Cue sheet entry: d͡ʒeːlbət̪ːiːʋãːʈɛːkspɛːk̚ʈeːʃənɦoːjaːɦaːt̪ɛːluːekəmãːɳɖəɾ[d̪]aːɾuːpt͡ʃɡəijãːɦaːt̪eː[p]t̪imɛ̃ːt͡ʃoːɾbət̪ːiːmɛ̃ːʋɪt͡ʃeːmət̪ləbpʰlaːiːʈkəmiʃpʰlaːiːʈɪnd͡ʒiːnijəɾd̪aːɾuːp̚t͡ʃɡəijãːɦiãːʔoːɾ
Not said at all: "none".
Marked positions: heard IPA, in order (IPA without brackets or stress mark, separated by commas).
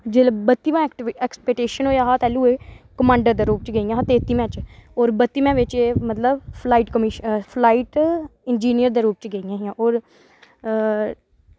d̪, none